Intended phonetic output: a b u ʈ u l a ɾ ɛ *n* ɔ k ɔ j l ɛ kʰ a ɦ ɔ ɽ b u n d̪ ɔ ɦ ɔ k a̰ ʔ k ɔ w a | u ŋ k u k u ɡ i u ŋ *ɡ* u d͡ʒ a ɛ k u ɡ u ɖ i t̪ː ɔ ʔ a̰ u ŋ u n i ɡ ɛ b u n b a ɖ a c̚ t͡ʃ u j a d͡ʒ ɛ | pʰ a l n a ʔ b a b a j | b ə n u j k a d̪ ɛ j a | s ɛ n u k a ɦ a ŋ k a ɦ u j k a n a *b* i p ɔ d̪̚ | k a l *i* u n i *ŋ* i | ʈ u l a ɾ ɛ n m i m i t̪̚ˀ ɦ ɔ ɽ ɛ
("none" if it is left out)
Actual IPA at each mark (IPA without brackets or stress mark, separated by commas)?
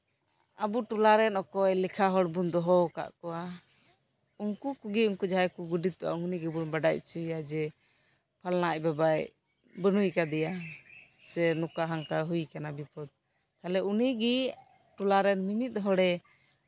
n, k, b, ɛ, ɡ